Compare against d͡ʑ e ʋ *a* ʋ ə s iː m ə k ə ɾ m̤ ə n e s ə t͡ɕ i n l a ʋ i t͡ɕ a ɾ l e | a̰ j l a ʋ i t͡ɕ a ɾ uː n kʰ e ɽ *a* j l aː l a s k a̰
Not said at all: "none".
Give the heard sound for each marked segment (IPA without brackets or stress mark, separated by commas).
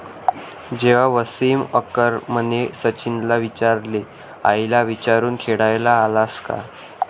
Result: a, a